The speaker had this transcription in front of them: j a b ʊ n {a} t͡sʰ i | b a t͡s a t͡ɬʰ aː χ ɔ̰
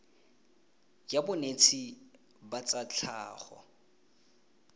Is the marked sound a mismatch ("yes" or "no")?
yes